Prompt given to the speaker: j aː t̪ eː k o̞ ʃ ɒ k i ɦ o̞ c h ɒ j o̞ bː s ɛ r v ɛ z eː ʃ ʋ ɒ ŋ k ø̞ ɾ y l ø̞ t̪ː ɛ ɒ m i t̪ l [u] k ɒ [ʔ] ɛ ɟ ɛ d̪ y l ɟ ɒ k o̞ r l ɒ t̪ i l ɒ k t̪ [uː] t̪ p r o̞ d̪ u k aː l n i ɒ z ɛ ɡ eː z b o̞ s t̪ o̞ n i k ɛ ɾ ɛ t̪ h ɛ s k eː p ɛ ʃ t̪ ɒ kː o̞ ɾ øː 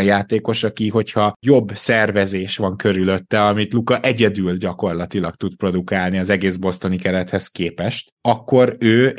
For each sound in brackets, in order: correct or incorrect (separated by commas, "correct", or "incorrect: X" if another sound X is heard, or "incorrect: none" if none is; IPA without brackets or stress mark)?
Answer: correct, correct, incorrect: u